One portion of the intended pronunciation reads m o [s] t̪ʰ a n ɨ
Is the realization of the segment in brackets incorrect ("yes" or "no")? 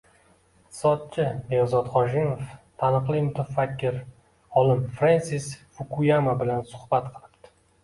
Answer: yes